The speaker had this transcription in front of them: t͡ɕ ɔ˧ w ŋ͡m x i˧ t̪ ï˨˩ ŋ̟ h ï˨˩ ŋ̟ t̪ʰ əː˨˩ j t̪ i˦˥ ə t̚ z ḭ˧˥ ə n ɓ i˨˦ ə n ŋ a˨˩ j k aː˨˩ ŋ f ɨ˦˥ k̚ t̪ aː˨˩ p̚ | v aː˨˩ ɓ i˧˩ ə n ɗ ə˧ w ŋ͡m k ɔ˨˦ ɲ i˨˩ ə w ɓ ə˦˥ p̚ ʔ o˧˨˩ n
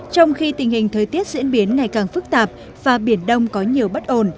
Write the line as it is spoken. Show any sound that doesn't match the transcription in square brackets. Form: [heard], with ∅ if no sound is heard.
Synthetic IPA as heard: t͡ɕ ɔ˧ w ŋ͡m x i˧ t̪ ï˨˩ ŋ̟ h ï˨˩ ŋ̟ t̪ʰ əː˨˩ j t̪ i˦˥ ə t̚ z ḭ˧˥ ə n ɓ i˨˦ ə n ŋ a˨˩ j k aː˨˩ ŋ f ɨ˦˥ k̚ t̪ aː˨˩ p̚ | v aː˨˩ ɓ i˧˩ ə n ɗ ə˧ w ŋ͡m k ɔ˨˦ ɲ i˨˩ ə w ɓ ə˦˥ [t̚] ʔ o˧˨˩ n

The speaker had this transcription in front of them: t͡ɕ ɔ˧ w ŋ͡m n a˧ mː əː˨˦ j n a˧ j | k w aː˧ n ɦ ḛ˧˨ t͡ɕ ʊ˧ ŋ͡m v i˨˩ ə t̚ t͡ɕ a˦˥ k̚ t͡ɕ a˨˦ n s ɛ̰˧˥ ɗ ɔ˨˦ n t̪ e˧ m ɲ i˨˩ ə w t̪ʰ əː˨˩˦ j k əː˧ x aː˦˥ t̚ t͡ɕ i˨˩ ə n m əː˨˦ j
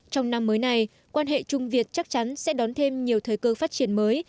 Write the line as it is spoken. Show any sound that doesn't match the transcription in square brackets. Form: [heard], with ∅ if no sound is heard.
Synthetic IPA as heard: t͡ɕ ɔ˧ w ŋ͡m n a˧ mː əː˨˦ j n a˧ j | k w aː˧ n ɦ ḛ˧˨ t͡ɕ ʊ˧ ŋ͡m v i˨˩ ə t̚ t͡ɕ a˦˥ k̚ t͡ɕ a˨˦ n s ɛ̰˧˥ ɗ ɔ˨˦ n [t̪ʰ] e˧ m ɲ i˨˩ ə w t̪ʰ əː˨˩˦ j k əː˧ [f] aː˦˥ t̚ t͡ɕ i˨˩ ə n m əː˨˦ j

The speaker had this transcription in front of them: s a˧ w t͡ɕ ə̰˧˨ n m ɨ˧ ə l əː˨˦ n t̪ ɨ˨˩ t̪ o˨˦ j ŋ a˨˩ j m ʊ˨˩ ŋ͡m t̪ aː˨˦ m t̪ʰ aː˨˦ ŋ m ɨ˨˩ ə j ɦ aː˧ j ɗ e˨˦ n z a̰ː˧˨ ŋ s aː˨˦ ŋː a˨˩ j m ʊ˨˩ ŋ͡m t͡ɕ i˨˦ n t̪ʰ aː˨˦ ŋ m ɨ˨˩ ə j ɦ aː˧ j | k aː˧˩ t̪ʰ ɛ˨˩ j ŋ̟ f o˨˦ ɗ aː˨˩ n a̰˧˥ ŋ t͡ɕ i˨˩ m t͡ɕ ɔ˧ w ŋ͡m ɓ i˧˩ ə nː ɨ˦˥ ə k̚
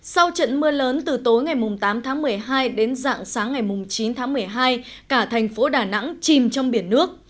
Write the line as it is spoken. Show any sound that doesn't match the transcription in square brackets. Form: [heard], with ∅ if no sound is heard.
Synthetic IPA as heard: s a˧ w t͡ɕ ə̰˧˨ n m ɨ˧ ə l əː˨˦ n t̪ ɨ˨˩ t̪ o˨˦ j ŋ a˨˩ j m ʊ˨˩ ŋ͡m t̪ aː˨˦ m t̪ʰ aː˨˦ ŋ m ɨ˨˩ ə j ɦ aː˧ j ɗ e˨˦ n z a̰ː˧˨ ŋ s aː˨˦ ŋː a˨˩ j m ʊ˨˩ ŋ͡m t͡ɕ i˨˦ n t̪ʰ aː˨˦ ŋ m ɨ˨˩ ə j ɦ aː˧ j | k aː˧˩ t̪ʰ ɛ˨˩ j ŋ̟ f o˨˦ ɗ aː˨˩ n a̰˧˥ ŋ t͡ɕ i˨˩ m t͡ɕ ɔ˧ w ŋ͡m ɓ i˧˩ ə nː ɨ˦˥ ə k̚

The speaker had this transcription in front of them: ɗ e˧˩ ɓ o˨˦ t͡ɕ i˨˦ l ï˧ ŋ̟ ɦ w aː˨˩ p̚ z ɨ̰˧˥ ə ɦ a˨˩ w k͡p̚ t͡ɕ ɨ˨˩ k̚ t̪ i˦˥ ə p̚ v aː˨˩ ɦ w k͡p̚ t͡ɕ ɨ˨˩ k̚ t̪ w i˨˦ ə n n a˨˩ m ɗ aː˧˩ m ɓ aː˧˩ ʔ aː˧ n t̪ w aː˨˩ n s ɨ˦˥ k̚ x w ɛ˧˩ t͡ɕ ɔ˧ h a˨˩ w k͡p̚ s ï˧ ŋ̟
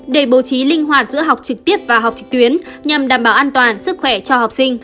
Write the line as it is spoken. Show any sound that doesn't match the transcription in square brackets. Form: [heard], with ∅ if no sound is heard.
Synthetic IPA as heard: ɗ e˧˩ ɓ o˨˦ t͡ɕ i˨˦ l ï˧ ŋ̟ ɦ w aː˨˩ [t̚] z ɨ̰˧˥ ə ɦ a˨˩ w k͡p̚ t͡ɕ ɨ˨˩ k̚ t̪ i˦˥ ə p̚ v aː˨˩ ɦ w k͡p̚ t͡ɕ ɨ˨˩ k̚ t̪ w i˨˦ ə n [ɲ] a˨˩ m ɗ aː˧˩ m ɓ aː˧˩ ʔ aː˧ n t̪ w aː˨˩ n s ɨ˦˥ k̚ x w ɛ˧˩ t͡ɕ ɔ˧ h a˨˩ w k͡p̚ s ï˧ ŋ̟

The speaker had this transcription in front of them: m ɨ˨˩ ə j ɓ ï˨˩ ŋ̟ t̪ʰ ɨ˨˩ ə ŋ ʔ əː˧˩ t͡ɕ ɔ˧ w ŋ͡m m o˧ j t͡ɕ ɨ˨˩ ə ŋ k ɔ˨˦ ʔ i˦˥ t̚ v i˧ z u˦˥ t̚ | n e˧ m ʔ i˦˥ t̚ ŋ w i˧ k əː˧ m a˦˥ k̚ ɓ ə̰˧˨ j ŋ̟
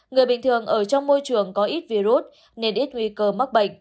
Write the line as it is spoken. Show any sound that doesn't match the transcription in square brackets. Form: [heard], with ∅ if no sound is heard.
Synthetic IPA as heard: [ŋ] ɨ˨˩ ə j ɓ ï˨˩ ŋ̟ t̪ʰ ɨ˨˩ ə ŋ ʔ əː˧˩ t͡ɕ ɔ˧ w ŋ͡m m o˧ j t͡ɕ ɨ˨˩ ə ŋ k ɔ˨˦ ʔ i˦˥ t̚ v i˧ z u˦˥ t̚ | n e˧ [n] ʔ i˦˥ t̚ ŋ w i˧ k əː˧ m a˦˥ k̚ ɓ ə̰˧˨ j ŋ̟

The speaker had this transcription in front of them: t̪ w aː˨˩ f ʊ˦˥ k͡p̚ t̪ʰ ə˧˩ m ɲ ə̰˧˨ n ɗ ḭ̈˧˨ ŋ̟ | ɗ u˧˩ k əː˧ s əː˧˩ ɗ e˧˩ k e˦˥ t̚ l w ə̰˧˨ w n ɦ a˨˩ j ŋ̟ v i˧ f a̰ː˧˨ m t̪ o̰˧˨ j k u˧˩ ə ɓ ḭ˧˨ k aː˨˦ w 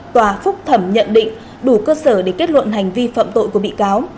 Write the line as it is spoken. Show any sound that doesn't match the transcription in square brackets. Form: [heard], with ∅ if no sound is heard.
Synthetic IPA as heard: t̪ w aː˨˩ f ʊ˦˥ k͡p̚ t̪ʰ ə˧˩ m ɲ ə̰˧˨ n ɗ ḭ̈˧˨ ŋ̟ | ɗ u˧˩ k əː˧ s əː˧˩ ɗ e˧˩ k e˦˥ t̚ l w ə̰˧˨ [∅] n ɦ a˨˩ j ŋ̟ v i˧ f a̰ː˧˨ m t̪ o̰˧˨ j k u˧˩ ə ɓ ḭ˧˨ k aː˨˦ w

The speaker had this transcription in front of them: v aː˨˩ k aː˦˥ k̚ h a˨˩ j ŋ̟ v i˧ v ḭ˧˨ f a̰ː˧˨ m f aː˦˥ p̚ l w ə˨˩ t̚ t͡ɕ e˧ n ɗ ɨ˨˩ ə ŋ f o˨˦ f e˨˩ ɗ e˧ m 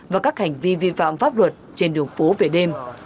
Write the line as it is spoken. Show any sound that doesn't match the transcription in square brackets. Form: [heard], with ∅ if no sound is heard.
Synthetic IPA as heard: v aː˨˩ k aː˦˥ k̚ h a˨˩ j ŋ̟ v i˧ v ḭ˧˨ f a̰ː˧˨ m f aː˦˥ p̚ l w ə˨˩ t̚ t͡ɕ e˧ n ɗ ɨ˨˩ ə ŋ f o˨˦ [v] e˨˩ ɗ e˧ m

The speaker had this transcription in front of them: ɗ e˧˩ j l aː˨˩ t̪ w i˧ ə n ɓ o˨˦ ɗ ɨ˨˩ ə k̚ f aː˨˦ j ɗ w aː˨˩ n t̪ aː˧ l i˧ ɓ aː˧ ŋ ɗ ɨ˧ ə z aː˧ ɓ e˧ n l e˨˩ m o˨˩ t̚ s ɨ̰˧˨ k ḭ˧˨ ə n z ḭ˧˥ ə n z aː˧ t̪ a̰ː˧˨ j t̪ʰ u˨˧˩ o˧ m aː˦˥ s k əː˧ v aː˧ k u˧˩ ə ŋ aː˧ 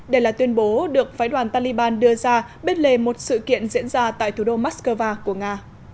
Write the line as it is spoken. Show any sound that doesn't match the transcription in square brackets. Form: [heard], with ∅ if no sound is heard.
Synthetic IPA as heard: ɗ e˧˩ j l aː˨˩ t̪ w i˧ ə n ɓ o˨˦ ɗ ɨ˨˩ ə k̚ f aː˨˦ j ɗ w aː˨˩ n t̪ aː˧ l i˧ ɓ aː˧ [n] ɗ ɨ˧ ə z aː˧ ɓ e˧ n l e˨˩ m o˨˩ t̚ s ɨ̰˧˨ k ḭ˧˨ ə n z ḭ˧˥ ə n z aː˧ t̪ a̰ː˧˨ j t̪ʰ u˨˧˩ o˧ m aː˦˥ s k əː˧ v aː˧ k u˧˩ ə ŋ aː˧

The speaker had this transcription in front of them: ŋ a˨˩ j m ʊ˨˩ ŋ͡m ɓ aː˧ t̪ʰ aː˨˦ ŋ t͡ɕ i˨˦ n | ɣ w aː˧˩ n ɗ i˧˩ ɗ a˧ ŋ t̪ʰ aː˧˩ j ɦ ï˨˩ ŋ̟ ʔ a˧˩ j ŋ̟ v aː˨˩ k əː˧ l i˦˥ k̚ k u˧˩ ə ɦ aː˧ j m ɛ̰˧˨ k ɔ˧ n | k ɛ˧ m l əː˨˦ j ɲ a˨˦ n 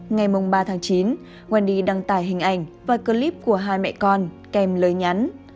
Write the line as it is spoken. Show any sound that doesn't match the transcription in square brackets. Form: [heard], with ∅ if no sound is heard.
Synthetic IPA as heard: ŋ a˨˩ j m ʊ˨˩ ŋ͡m ɓ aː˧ t̪ʰ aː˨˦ ŋ t͡ɕ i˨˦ n | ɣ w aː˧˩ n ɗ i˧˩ ɗ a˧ ŋ [t̪] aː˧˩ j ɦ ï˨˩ ŋ̟ ʔ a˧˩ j ŋ̟ v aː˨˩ k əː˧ l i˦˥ [p̚] k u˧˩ ə ɦ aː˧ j m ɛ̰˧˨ k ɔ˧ n | k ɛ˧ m l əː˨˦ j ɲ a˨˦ n

